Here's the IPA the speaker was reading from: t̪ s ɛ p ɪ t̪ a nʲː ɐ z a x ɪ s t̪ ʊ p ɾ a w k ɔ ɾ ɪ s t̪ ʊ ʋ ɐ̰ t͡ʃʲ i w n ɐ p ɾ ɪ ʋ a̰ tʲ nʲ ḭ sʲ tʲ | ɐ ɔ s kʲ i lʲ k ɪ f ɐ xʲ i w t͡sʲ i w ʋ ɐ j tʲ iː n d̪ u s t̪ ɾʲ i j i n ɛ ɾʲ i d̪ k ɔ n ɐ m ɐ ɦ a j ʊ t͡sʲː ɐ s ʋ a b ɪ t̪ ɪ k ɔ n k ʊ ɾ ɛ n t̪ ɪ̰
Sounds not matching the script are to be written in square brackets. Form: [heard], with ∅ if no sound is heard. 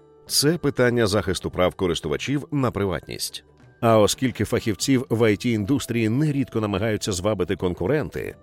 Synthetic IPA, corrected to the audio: t̪ s ɛ p ɪ t̪ a nʲː ɐ z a x ɪ s t̪ ʊ p ɾ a w k ɔ ɾ ɪ s t̪ ʊ ʋ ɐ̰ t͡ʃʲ i w n ɐ p ɾ ɪ ʋ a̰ tʲ nʲ ḭ sʲ tʲ | ɐ ɔ s kʲ i lʲ k ɪ f ɐ xʲ i w t͡sʲ i w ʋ ɐ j tʲ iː n d̪ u s t̪ ɾʲ i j i n ɛ ɾʲ i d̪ k ɔ n ɐ m ɐ ɦ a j ʊ t͡sʲː ɐ [z] ʋ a b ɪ t̪ ɪ k ɔ n k ʊ ɾ ɛ n t̪ ɪ̰